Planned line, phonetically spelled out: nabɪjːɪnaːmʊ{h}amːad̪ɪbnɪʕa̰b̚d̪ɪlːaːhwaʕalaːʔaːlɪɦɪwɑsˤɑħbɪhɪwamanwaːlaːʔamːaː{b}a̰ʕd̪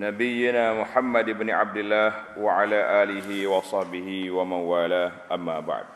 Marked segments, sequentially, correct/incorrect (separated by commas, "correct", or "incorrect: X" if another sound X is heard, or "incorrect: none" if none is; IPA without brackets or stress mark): incorrect: ħ, correct